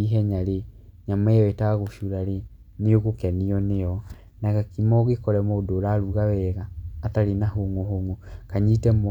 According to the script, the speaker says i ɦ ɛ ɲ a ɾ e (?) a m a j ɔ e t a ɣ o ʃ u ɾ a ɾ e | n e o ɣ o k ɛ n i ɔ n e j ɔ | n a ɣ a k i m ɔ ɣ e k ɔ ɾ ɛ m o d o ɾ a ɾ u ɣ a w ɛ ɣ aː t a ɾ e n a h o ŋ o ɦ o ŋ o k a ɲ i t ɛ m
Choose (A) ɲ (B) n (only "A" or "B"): A